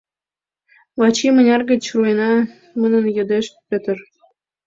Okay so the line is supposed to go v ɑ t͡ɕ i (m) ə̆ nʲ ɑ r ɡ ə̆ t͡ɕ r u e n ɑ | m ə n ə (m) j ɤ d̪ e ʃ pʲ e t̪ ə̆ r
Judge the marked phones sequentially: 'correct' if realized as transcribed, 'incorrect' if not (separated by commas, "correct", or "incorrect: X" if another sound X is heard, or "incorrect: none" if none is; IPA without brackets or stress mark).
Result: correct, incorrect: n